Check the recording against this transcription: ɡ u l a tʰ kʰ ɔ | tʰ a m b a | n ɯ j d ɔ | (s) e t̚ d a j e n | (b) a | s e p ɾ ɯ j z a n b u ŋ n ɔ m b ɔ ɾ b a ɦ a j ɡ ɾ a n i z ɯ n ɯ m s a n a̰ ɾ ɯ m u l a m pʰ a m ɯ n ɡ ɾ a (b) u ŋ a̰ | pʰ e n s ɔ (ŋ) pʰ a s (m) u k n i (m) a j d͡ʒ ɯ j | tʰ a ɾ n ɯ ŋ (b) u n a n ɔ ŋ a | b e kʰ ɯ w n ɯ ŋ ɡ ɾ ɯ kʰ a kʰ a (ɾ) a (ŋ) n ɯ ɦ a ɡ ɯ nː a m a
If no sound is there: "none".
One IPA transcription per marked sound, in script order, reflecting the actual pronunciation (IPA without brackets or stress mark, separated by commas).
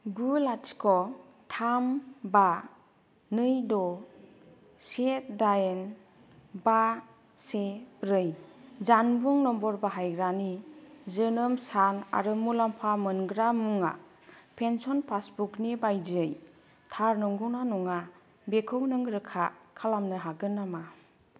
s, b, m, n, b, b, ɡ, l, m